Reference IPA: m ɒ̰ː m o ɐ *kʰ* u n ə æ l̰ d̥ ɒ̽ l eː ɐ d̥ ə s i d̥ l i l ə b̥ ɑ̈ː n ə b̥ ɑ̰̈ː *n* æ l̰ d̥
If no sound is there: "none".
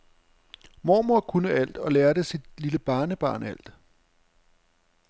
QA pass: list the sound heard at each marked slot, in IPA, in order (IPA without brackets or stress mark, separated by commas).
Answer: kʰ, n